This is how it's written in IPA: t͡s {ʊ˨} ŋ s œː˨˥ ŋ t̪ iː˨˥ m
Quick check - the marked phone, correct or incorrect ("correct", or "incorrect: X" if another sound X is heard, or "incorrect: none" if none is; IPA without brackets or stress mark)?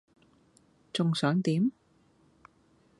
correct